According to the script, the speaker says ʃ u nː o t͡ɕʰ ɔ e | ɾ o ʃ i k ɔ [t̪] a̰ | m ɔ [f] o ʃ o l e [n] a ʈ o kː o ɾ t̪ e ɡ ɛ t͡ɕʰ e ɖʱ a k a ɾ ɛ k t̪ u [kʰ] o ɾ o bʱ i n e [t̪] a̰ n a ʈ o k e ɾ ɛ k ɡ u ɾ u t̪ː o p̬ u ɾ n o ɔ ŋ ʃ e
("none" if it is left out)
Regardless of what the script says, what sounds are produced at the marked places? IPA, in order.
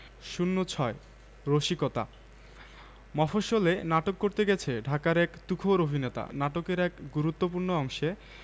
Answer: t̪, f, n, kʰ, t̪

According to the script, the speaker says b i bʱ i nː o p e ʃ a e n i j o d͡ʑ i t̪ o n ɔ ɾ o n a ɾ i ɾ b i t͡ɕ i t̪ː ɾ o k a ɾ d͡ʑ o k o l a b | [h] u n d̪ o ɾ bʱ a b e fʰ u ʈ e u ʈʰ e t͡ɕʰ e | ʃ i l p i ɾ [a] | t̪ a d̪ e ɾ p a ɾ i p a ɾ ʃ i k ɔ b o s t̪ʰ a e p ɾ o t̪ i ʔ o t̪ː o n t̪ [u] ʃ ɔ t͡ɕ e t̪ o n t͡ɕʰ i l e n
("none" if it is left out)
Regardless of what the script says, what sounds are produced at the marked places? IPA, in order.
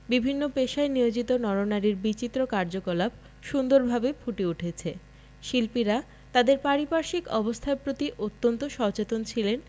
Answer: ʃ, a, o

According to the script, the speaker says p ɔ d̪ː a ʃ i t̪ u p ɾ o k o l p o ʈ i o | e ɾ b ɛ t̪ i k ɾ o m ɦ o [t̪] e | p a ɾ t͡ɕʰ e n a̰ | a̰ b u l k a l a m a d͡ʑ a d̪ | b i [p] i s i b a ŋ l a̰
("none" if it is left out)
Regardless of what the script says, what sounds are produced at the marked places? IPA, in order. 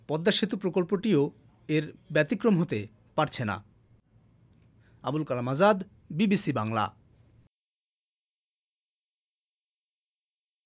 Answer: t̪, b

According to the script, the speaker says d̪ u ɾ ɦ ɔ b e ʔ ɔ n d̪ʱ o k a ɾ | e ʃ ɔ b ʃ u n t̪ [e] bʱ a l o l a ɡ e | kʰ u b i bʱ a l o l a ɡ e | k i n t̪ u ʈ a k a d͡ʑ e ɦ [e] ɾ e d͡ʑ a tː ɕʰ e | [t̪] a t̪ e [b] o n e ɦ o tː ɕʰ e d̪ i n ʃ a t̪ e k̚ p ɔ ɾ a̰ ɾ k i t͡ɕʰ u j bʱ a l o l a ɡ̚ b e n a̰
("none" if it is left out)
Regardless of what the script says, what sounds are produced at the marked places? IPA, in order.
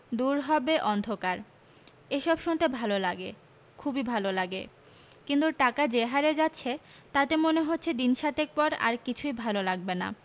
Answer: e, a, t̪, m

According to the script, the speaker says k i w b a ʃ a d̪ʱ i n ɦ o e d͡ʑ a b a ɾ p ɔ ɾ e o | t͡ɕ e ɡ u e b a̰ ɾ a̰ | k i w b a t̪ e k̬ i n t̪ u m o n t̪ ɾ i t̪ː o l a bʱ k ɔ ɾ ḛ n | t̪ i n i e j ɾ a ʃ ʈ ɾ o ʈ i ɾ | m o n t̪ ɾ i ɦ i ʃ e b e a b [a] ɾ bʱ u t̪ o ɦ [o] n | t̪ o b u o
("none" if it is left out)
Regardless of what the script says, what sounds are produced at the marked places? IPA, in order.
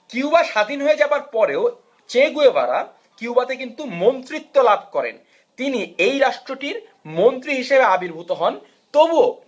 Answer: i, ɔ

